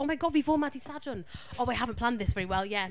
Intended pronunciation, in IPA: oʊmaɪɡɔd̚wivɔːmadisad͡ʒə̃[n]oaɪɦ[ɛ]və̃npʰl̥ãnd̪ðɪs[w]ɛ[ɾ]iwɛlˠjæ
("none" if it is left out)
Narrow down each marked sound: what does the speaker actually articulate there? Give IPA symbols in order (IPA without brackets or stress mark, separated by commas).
n, a, v, ɹ